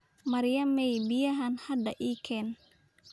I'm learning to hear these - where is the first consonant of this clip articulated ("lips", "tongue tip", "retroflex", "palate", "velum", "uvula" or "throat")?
lips